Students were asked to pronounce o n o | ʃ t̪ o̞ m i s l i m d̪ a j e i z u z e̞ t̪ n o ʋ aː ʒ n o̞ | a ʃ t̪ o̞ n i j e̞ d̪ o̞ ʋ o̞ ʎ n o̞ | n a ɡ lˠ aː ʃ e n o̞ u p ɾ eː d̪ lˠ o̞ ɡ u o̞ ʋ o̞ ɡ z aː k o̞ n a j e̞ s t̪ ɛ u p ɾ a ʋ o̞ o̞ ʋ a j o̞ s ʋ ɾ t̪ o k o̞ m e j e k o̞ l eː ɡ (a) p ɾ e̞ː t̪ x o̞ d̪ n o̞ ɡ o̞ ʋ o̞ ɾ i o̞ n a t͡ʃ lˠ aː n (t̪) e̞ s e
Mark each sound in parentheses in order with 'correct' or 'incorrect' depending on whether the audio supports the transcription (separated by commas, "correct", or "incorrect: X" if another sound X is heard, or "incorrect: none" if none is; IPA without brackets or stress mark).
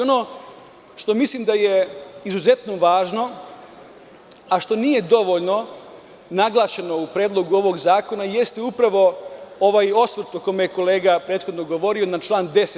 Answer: correct, incorrect: d̪